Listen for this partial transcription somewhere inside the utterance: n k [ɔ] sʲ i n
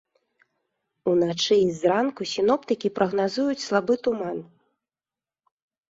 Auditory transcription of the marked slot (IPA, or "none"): u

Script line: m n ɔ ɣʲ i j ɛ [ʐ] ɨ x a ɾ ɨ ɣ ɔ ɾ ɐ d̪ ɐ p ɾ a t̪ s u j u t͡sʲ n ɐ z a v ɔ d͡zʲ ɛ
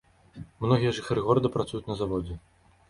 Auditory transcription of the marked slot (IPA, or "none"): ʐ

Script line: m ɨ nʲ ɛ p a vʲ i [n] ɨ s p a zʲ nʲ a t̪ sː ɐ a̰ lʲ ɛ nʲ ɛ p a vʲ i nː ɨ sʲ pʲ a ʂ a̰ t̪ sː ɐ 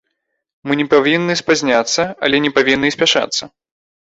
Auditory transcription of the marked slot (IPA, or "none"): nː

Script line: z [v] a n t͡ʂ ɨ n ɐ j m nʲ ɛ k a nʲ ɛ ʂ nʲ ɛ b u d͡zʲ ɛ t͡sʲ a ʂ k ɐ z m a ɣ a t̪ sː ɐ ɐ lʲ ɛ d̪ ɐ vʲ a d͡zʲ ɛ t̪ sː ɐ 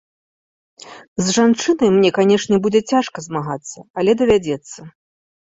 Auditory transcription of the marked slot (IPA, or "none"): ʐ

